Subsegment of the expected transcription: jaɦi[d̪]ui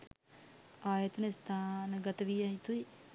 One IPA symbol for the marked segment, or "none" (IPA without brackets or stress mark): t̪